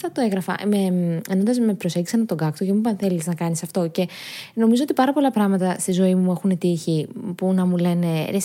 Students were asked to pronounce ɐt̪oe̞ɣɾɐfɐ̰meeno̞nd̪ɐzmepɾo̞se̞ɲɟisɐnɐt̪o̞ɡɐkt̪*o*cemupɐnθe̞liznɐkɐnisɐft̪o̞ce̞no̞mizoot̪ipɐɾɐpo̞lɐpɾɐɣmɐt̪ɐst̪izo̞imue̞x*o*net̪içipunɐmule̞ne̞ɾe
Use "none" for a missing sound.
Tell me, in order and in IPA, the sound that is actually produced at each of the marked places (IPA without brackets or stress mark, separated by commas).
o, u